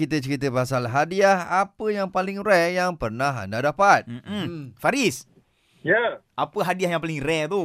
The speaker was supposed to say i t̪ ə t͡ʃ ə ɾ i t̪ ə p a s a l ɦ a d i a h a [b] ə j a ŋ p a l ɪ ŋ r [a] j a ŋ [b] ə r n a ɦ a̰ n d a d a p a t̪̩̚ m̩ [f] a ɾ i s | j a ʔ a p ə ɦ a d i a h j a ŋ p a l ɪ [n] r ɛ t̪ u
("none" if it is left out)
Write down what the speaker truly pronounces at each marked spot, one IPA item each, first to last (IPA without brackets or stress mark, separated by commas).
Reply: p, ɛ, p, f, ŋ